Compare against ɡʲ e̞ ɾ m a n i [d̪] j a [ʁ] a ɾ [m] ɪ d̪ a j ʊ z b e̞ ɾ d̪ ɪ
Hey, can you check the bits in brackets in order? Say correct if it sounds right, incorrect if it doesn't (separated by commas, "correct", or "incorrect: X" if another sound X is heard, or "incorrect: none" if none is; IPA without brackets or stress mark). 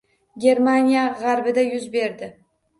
incorrect: none, correct, incorrect: b